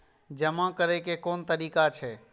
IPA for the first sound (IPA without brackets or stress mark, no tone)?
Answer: d͡ʒ